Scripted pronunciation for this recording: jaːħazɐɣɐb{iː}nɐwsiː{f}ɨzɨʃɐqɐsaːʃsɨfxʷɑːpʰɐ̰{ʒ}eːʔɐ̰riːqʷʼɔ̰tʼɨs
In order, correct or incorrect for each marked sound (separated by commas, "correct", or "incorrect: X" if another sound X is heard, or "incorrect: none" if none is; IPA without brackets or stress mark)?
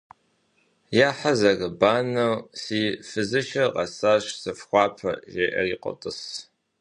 incorrect: aː, correct, correct